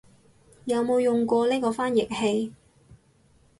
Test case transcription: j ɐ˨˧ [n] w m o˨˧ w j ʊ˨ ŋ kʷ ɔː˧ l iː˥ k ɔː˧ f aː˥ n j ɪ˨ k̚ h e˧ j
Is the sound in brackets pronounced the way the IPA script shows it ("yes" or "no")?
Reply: no